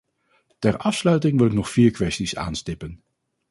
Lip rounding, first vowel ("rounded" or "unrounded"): unrounded